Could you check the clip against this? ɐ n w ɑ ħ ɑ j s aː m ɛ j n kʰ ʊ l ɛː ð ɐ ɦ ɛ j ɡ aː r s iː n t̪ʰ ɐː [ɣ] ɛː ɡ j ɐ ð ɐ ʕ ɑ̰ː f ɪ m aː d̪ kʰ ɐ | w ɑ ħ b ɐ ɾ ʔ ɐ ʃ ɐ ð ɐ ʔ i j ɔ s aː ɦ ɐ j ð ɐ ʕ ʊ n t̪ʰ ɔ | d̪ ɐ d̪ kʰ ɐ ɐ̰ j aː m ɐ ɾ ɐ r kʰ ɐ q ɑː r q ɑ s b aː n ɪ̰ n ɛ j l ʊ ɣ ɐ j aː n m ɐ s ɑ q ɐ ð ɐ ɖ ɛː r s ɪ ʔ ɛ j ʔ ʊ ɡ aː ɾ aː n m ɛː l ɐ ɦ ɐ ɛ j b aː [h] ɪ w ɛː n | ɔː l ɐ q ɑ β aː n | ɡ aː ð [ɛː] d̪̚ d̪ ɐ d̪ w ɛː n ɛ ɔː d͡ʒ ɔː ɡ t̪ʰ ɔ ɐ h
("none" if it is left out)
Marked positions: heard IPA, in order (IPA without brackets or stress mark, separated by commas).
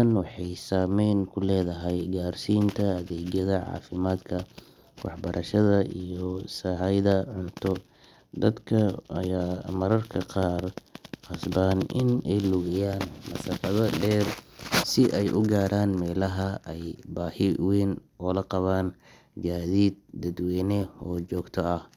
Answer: ð, h, iː